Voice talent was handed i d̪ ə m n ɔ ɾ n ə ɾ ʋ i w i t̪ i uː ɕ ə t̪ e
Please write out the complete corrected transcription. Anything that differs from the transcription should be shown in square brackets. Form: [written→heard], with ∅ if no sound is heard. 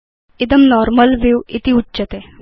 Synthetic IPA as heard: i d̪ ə m n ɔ ɾ [n→m] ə [ɾ→l] ʋ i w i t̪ i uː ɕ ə t̪ e